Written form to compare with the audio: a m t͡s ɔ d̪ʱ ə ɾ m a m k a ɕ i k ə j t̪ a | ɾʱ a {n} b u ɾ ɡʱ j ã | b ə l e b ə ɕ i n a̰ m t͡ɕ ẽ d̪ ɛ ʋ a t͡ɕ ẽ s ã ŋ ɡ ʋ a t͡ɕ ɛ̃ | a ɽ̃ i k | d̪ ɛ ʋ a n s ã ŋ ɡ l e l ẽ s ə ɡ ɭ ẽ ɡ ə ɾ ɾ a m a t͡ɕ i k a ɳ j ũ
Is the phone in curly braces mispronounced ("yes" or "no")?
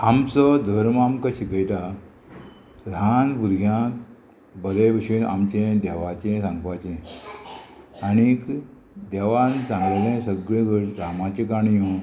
no